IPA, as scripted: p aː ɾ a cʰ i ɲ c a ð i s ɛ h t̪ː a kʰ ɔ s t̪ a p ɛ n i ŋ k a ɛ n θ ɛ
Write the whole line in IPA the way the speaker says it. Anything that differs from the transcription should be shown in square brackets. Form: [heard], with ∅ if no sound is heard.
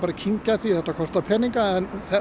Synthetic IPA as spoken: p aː ɾ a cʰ i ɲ c a [θ] i [θ] ɛ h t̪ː a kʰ ɔ s t̪ a [pʰ] ɛ n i ŋ k a ɛ n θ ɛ